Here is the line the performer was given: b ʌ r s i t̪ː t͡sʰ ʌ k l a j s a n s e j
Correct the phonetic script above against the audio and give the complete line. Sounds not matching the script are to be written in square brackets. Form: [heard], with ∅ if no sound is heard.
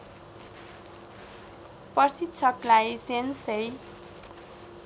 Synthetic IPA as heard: [p] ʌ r s i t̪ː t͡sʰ ʌ k l a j s [e] n s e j